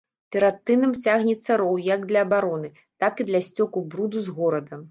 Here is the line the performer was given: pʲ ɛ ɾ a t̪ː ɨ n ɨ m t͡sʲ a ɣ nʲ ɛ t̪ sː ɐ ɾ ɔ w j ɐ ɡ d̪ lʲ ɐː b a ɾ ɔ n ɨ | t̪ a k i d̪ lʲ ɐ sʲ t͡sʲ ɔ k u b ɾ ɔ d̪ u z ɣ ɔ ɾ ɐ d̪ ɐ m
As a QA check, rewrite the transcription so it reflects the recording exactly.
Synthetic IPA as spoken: pʲ ɛ ɾ a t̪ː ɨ n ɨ m t͡sʲ a ɣ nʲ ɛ t̪ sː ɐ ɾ ɔ w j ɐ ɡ d̪ lʲ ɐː b a ɾ ɔ n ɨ | t̪ a k i d̪ lʲ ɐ sʲ t͡sʲ ɔ k u b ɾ u d̪ u z ɣ ɔ ɾ ɐ d̪ ɐ m

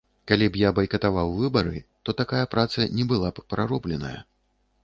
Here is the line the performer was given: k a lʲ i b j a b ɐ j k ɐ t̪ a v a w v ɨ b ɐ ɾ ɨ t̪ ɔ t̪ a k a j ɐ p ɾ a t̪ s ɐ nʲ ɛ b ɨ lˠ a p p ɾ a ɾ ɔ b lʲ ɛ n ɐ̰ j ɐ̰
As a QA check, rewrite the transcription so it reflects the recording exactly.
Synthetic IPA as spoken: k a lʲ i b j a b ɐ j k ɐ t̪ a v a w v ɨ b ɐ ɾ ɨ t̪ ɔ t̪ a k a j ɐ p ɾ a t̪ s ɐ nʲ ɛ b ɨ lˠ a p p ɾ a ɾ ɔ b lʲ ɛ n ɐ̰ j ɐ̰

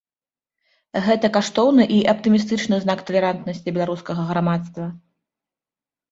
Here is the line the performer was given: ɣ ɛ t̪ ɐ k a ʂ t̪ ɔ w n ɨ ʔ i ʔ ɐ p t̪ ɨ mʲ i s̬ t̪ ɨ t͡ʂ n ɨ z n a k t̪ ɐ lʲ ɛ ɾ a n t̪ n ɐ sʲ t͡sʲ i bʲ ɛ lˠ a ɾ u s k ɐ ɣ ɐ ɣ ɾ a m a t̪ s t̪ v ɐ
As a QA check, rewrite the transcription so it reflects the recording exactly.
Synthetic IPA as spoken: ɣ ɛ t̪ ɐ k a ʂ t̪ ɔ w n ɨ ʔ i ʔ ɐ p t̪ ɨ mʲ i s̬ t̪ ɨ t͡ʂ n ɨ z n a k t̪ ɐ lʲ ɛ ɾ a n t̪ n ɐ sʲ t͡sʲ i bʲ ɛ lˠ a ɾ u s k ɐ ɣ ɐ ɣ ɾ a m a t̪ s t̪ v ɐ

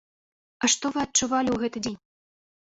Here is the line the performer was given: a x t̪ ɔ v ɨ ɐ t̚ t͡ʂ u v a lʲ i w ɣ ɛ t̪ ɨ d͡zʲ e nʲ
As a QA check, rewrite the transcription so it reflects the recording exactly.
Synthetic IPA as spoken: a ʂ t̪ ɔ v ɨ ɐ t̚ t͡ʂ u v a lʲ i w ɣ ɛ t̪ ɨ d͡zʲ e nʲ

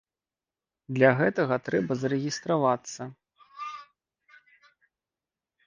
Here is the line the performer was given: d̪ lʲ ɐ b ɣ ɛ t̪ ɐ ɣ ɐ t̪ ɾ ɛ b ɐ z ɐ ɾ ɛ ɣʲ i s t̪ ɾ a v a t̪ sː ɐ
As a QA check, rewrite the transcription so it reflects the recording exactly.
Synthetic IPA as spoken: d̪ lʲ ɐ ɣ ɛ t̪ ɐ ɣ ɐ t̪ ɾ ɛ b ɐ z ɐ ɾ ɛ ɣʲ i s t̪ ɾ a v a t̪ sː ɐ

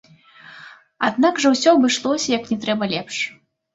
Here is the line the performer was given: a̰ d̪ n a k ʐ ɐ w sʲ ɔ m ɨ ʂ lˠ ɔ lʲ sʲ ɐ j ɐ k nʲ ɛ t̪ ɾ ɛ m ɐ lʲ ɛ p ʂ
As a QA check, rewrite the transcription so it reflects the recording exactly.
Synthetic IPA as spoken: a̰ d̪ n a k ʐ ɐ w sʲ ɔ b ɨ ʂ lˠ ɔ sʲ ɐ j ɐ k nʲ ɛ t̪ ɾ ɛ b ɐ lʲ ɛ p ʂ

